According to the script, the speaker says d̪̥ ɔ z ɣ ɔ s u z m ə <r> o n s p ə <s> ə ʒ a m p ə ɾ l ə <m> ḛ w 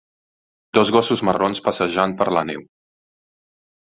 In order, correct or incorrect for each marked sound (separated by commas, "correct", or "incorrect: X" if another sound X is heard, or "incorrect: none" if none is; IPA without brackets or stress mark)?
correct, correct, incorrect: n